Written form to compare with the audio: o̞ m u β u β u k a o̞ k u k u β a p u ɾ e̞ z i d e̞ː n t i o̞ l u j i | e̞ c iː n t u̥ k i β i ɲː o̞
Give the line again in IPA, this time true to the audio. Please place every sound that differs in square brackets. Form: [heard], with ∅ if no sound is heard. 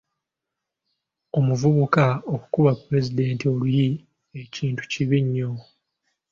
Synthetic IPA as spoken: o̞ m u [v] u β u k a o̞ k u k u β a p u ɾ e̞ z i d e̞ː n t i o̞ l u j i | e̞ c iː n t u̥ [c] i β i ɲː o̞